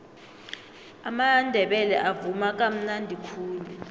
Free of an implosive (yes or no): no